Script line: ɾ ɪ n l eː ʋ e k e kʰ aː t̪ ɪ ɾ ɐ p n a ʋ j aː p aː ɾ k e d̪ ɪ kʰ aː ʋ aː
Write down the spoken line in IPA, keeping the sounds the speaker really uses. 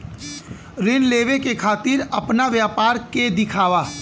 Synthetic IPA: ɾ ɪ n l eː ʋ e k e kʰ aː t̪ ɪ ɾ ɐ p n a ʋ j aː p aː ɾ k e d̪ ɪ kʰ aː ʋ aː